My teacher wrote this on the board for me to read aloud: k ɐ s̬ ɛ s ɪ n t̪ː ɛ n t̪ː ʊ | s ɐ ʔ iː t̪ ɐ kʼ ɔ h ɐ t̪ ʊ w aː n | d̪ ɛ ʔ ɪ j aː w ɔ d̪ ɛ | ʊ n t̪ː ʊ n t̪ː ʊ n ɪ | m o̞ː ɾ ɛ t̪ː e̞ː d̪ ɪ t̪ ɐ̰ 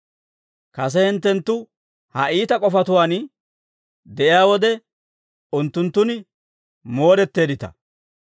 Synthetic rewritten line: k ɐ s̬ ɛ h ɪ n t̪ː ɛ n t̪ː ʊ | h ɐ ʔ iː t̪ ɐ kʼ ɔ f ɐ t̪ ʊ w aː n | d̪ ɛ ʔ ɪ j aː w ɔ d̪ ɛ | ʊ n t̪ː ʊ n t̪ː ʊ n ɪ | m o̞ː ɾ ɛ t̪ː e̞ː d̪ ɪ t̪ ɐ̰